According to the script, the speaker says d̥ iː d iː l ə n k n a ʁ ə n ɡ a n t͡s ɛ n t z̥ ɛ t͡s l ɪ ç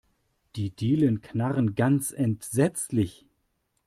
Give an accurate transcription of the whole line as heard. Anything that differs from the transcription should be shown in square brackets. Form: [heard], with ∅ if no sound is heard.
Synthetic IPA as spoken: d̥ iː d iː l ə n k n a ʁ ə n ɡ a n t͡s ɛ n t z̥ ɛ t͡s l ɪ ç